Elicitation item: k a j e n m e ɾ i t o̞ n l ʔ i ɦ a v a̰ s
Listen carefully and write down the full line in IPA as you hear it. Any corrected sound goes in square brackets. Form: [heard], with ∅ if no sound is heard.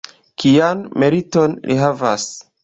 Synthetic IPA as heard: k [i] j [a] n m e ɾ i t o̞ n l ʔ i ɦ a v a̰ s